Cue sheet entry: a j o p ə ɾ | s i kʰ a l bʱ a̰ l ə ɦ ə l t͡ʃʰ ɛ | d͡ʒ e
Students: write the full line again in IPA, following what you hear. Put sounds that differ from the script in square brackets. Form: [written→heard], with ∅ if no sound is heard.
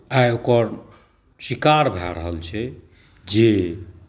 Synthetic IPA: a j o [p→k] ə ɾ | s i [kʰ→k] a [l→ɾ] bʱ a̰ [l→ɾ] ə ɦ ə l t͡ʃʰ ɛ | d͡ʒ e

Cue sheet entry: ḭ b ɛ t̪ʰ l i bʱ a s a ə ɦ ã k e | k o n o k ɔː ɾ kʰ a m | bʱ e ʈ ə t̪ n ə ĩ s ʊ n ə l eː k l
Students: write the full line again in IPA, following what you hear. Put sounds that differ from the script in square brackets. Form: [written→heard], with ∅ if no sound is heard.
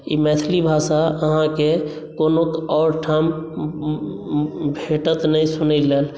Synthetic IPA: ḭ [b→m] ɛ t̪ʰ l i bʱ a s a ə ɦ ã k e | k o n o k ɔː ɾ [kʰ→ʈʰ] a m | bʱ e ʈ ə t̪ n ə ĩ s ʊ n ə l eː [k→∅] l

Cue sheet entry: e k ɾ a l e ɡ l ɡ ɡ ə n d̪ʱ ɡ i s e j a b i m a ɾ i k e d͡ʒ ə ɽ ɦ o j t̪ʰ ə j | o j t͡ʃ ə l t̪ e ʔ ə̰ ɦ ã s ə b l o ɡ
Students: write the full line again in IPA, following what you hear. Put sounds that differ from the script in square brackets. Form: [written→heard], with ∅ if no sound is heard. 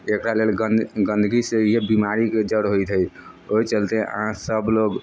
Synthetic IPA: e k ɾ a l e [ɡ→∅] l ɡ ɡ ə n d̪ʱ ɡ i s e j [a→e] b i m a ɾ i k e d͡ʒ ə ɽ ɦ o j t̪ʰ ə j | o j t͡ʃ ə l t̪ e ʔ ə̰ ɦ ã s ə b l o ɡ

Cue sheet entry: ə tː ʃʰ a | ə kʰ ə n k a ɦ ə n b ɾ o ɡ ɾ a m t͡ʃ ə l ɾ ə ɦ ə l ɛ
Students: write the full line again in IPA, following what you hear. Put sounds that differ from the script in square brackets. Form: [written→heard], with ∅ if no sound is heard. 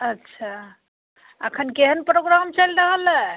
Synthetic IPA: ə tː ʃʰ a | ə kʰ ə n k [a→e] ɦ ə n [b→p] ɾ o ɡ ɾ a m t͡ʃ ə l ɾ ə ɦ ə l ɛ

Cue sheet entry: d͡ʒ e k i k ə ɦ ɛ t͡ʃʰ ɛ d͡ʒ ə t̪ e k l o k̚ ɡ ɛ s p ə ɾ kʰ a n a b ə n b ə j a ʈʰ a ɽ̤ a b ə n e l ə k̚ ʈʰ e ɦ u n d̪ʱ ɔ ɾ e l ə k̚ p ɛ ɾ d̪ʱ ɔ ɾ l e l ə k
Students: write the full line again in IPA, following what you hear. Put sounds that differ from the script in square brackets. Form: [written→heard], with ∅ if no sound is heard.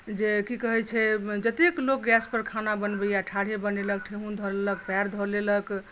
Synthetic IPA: d͡ʒ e k i k ə ɦ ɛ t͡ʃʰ ɛ d͡ʒ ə t̪ e k l o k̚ ɡ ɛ s p ə ɾ kʰ a n a b ə n b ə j a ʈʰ a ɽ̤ [a→e] b ə n e l ə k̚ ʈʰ e ɦ u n d̪ʱ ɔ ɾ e l ə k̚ p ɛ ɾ d̪ʱ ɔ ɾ l e l ə k

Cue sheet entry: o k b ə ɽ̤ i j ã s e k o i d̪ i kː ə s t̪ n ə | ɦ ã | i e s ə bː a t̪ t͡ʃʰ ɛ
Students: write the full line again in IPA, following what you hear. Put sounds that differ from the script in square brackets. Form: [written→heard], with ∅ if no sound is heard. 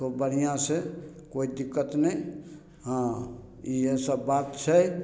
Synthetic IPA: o [k→∅] b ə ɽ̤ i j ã s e k o i d̪ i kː ə [s→∅] t̪ n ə | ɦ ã | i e s ə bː a t̪ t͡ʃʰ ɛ

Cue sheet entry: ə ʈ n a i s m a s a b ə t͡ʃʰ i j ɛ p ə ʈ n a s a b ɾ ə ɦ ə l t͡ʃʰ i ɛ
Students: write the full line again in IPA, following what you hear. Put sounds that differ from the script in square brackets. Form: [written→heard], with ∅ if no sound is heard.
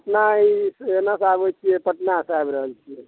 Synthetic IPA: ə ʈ n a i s [m→n] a s a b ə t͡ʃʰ i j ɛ p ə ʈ n a s a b ɾ ə ɦ ə l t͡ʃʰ i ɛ

